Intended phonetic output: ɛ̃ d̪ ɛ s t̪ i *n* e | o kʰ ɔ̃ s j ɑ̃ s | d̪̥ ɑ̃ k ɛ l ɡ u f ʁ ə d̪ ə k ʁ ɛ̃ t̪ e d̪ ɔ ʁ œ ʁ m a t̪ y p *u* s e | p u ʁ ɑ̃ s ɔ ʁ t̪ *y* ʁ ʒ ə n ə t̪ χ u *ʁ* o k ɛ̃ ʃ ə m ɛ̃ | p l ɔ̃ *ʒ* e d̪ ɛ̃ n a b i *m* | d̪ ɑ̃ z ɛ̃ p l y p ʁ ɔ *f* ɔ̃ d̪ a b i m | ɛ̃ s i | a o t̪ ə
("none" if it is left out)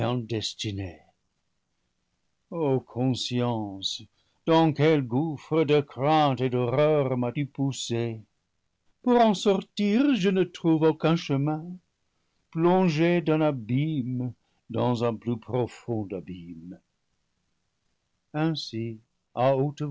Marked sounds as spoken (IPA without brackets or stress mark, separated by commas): n, u, i, v, ʒ, m, f